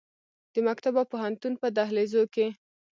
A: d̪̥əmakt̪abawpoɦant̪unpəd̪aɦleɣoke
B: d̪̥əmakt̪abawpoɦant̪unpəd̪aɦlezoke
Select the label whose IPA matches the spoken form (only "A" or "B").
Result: B